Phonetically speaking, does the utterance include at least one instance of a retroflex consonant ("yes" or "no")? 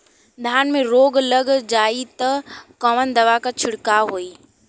yes